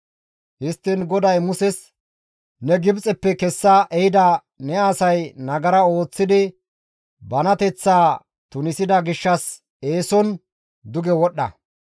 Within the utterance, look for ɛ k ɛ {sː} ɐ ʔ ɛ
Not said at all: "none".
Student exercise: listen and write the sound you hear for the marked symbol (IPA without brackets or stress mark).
sː